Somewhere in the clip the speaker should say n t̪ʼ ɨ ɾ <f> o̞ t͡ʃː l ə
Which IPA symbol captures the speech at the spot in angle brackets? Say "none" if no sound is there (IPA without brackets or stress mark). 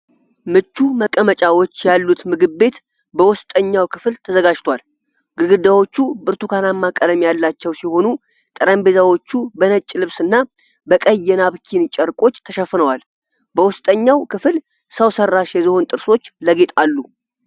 s